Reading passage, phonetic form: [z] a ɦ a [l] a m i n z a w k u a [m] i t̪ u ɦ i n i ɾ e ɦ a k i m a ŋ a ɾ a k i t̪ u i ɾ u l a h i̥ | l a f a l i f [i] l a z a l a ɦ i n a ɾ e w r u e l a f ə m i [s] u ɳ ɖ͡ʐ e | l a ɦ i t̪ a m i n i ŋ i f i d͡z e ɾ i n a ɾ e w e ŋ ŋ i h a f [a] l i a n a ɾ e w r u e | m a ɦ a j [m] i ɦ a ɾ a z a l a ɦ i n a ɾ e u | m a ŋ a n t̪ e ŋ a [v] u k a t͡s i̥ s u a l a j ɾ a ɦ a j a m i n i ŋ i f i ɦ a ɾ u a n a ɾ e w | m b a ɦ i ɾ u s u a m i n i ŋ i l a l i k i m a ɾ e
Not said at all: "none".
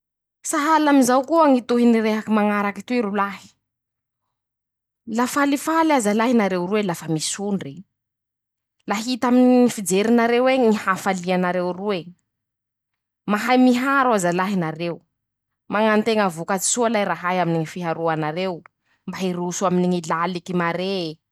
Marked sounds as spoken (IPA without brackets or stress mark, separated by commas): s, l, ŋ, a, s, a, m, v